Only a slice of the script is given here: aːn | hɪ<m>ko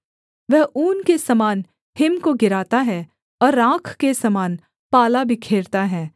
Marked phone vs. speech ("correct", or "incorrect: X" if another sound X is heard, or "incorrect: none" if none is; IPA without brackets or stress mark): correct